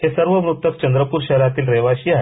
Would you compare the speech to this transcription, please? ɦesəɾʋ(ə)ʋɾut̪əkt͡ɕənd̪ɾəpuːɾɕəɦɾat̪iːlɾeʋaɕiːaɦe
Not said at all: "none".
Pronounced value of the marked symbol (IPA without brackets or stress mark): ə